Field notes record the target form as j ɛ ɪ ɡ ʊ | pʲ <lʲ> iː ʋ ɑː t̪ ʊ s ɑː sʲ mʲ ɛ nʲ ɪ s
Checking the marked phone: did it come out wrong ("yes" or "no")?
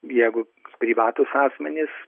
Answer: yes